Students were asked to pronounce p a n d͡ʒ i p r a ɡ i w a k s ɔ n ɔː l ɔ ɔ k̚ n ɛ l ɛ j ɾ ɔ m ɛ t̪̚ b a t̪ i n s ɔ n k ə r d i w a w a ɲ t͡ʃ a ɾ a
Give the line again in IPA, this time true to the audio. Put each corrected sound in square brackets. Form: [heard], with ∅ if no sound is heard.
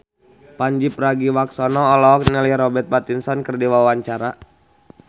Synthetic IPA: p a [ɲ] d͡ʒ i p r a ɡ i w a k s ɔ n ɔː l ɔ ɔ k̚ n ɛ l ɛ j ɾ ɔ [b] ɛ t̪̚ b a t̪ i n s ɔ n k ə r d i w a w a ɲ t͡ʃ a ɾ a